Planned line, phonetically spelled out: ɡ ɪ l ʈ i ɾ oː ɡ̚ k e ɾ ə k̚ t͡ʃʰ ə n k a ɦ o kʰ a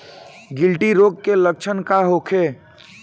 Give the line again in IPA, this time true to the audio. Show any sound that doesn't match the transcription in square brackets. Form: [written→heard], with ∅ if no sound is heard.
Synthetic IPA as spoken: ɡ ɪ l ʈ i ɾ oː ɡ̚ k e [ɾ→l] ə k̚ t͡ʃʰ ə n k a ɦ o kʰ [a→e]